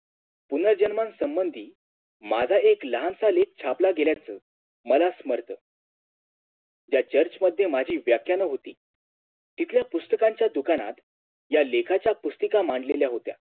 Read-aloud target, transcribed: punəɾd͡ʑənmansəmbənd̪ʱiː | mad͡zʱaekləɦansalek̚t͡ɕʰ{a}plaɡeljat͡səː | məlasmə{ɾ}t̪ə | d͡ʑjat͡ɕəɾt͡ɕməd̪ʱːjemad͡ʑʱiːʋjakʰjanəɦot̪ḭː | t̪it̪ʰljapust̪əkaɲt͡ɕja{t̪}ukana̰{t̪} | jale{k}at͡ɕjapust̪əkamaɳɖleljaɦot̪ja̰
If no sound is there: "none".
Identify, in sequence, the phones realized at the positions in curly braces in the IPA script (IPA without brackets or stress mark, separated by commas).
a, ɾ, d̪, t̪, kʰ